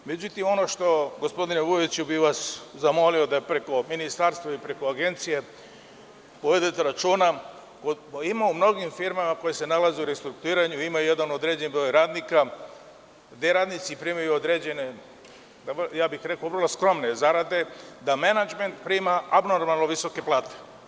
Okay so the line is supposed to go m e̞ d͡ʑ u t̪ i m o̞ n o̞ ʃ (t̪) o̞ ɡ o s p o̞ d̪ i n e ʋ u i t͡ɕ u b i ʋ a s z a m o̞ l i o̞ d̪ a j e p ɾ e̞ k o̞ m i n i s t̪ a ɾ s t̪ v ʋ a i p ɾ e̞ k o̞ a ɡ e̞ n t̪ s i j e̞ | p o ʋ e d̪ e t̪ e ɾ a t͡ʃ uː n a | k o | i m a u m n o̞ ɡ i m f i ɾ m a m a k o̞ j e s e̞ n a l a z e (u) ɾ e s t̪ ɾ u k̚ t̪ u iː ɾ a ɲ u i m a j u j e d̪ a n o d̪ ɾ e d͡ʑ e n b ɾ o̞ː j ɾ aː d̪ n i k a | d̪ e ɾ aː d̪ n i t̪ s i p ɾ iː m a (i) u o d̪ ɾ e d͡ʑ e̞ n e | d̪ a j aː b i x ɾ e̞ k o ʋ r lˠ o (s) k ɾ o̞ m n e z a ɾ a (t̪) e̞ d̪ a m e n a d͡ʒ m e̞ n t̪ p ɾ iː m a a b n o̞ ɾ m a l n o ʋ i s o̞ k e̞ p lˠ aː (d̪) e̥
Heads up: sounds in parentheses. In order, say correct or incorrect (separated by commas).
correct, correct, incorrect, correct, incorrect, incorrect